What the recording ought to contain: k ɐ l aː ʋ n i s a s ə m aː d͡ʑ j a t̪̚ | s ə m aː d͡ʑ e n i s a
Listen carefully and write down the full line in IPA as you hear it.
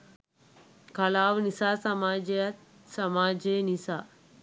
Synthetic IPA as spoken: k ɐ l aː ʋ n i s a s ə m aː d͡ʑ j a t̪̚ | s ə m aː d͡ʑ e n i s a